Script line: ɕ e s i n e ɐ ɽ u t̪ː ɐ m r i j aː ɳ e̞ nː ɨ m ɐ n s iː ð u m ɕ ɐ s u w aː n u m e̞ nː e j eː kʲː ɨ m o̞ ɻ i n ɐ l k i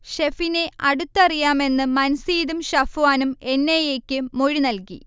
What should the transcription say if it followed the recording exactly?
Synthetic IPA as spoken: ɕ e f i n e ɐ ɽ u t̪ː ɐ r i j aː m e̞ nː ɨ m ɐ n s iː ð u m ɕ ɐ f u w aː n u m e̞ nː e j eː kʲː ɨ m o̞ ɻ i n ɐ l k i